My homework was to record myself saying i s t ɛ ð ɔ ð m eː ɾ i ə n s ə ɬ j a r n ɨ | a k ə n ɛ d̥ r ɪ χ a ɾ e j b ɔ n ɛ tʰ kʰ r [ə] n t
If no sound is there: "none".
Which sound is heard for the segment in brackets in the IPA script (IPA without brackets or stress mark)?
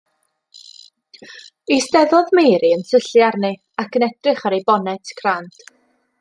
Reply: a